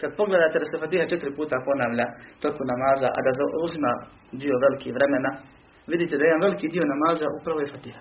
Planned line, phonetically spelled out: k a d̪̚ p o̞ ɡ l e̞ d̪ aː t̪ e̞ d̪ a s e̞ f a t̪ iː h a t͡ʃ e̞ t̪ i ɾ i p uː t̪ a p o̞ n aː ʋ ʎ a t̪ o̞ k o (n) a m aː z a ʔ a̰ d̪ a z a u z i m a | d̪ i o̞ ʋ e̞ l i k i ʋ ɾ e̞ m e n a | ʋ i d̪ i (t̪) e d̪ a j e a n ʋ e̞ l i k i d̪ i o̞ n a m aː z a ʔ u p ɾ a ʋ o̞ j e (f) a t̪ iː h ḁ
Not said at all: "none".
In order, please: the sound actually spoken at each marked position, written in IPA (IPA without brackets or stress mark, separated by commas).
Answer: n, t̪, f